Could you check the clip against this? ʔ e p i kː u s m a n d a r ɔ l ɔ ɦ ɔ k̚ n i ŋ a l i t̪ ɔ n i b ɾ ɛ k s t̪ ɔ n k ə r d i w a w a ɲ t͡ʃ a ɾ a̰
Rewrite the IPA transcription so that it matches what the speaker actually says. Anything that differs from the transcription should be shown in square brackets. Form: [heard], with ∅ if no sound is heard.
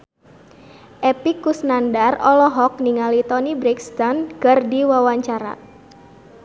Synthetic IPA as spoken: ʔ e p i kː u s [n] a n d a r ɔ l ɔ ɦ ɔ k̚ n i ŋ a l i t̪ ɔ n i b ɾ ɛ k s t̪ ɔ n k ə r d i w a w a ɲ t͡ʃ a ɾ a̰